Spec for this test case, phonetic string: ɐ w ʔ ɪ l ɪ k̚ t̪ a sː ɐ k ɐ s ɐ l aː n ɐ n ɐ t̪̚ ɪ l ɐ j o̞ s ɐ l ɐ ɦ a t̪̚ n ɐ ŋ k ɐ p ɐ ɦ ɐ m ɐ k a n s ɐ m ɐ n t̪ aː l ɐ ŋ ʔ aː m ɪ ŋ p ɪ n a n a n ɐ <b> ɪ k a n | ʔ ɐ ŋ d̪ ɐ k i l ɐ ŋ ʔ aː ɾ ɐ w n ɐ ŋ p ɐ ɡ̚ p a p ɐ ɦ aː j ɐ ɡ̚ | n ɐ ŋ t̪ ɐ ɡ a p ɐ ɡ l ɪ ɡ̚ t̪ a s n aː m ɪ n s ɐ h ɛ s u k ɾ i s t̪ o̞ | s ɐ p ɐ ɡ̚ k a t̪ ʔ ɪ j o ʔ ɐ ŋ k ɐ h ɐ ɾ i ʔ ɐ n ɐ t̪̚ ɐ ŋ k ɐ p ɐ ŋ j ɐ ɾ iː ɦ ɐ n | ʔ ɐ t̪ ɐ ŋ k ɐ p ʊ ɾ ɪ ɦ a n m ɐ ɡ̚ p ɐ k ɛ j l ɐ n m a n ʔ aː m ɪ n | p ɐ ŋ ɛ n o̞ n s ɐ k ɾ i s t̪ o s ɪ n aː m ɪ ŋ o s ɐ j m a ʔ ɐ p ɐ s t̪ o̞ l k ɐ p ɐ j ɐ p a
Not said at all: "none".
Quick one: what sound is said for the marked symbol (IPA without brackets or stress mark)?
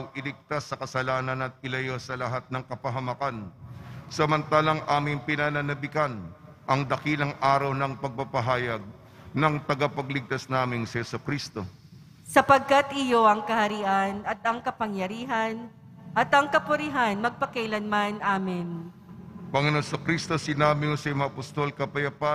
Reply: b